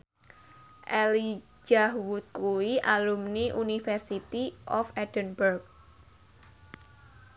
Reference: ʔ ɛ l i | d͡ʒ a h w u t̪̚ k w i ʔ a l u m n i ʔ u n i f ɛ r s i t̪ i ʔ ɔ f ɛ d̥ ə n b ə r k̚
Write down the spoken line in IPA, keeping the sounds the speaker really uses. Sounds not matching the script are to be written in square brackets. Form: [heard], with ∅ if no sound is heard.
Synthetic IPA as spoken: ʔ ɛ l i | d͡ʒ a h w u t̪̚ k [u] i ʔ a l u m n i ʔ u n i f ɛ r s i t̪ i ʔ ɔ f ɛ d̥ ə n b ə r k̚